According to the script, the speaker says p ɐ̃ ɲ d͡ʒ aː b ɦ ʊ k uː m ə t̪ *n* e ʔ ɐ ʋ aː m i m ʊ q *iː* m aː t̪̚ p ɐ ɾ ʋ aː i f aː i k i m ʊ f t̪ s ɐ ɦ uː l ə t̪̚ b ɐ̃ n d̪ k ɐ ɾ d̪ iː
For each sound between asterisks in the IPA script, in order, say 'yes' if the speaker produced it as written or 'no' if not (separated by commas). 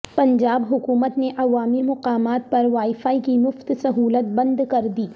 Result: yes, no